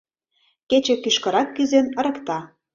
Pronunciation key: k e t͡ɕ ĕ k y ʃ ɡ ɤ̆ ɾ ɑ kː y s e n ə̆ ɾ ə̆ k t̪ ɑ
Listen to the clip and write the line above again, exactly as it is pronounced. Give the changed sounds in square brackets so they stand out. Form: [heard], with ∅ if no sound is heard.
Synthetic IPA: k e t͡ɕ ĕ k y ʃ [k] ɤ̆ ɾ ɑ kː y [z] e n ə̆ ɾ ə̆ k t̪ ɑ